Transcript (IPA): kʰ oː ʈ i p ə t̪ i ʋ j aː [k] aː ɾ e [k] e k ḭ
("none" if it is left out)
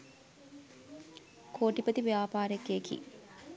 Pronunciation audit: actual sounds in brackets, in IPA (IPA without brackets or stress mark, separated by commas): p, k